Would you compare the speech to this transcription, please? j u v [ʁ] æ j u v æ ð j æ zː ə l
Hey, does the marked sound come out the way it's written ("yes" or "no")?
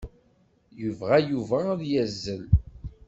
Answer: yes